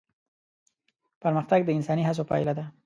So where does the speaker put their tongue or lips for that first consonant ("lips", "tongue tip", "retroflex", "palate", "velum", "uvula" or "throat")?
lips